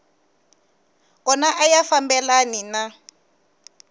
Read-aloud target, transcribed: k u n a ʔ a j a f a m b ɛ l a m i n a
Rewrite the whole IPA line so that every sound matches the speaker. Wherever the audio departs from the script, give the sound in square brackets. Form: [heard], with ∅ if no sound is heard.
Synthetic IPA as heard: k [ɔ] n a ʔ a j a f a m b ɛ l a [n] i n a